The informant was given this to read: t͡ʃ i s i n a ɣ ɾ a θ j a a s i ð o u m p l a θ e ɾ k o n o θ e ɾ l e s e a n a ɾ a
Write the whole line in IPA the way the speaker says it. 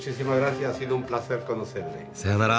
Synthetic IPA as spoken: t͡ʃ i s i m a ɣ ɾ a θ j a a s i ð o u m p l a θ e ɾ k o n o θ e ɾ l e s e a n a ɾ a